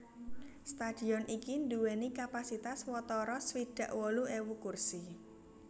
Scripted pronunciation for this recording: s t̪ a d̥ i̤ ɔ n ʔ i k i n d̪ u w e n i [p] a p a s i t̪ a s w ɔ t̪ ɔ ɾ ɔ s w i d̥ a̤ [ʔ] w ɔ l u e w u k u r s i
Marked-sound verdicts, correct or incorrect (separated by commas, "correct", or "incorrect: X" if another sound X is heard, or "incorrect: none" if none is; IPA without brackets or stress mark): incorrect: k, correct